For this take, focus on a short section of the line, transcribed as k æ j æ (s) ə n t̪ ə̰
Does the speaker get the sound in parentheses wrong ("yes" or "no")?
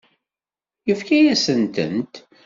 no